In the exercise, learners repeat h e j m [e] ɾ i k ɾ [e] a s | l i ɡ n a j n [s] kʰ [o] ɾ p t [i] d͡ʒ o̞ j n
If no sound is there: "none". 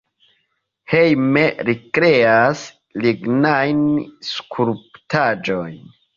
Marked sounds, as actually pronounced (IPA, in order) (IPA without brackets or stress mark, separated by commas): e, e, s, u, a